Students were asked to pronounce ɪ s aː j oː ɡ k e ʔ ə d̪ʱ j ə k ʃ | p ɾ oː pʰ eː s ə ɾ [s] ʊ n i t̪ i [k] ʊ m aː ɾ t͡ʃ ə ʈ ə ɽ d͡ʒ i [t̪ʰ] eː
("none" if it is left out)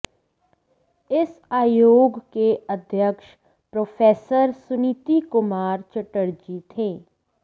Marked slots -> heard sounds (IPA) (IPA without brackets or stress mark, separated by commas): s, k, t̪ʰ